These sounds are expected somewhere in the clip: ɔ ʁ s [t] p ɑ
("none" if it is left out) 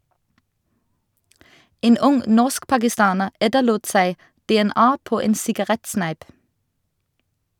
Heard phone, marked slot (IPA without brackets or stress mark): k